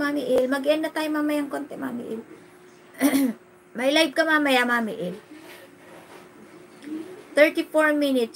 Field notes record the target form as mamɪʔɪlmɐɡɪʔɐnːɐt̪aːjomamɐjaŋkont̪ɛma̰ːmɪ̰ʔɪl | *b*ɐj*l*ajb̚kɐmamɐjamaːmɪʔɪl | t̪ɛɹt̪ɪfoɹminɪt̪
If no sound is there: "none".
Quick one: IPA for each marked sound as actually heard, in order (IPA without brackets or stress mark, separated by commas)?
m, l